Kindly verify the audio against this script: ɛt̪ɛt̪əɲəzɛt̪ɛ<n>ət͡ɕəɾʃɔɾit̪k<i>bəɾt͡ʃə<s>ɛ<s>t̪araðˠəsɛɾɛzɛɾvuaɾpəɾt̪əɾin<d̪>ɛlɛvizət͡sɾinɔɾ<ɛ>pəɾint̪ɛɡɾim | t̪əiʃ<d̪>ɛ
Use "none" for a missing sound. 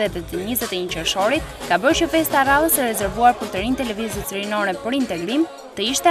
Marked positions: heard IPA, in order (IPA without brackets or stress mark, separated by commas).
ɲ, a, f, s, t̪, ɛ, t̪